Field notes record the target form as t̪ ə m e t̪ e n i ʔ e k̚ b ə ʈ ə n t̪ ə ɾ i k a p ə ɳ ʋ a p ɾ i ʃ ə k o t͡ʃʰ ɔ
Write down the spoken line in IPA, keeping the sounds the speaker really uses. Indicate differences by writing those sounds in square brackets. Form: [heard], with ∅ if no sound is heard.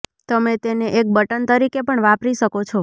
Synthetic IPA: t̪ ə m e t̪ e n [e] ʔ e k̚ b ə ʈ ə n t̪ ə ɾ i k [e] p ə ɳ ʋ a p ɾ i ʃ ə k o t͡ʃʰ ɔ